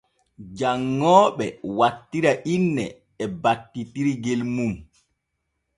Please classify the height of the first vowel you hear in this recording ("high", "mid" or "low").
low